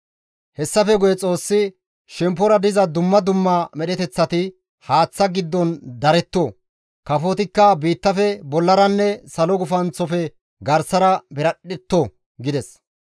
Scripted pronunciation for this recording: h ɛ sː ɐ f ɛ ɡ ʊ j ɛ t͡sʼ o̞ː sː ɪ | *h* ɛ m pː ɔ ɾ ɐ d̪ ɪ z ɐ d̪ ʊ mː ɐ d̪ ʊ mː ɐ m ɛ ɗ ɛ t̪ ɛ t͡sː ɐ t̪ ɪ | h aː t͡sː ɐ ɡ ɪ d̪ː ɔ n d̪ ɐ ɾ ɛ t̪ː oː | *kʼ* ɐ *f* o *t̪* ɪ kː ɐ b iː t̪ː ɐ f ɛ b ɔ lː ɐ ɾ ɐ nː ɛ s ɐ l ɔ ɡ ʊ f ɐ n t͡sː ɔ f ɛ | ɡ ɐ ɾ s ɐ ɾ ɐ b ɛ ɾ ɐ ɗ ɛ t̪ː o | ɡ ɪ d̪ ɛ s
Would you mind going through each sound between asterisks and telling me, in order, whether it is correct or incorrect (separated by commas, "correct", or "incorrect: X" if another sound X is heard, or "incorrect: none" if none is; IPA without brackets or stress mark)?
incorrect: ʃ, incorrect: k, correct, correct